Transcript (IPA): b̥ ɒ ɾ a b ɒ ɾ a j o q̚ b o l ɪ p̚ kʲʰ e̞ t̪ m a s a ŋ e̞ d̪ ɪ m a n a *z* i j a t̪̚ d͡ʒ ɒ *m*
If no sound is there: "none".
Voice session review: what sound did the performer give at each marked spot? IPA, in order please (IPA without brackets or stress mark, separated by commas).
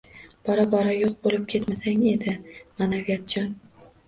v, n